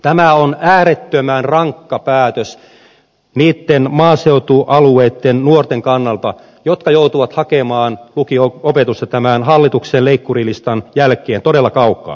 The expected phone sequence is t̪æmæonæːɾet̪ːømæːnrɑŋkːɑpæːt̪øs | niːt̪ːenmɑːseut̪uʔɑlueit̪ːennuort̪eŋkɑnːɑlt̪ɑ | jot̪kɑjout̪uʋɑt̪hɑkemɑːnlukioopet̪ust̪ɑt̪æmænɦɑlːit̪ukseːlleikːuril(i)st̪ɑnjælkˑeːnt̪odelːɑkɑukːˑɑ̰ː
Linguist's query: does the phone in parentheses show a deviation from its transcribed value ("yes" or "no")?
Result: no